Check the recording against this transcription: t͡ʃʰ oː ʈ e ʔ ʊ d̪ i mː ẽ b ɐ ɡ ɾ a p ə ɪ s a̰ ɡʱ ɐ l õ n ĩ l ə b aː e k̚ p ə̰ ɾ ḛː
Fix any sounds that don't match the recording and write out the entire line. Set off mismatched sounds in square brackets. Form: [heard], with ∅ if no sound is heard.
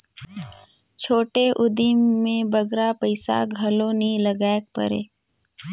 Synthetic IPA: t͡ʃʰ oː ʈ e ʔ ʊ d̪ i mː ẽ b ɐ ɡ ɾ a p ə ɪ s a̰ ɡʱ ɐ l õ n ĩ l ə [ɡ] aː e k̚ p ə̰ ɾ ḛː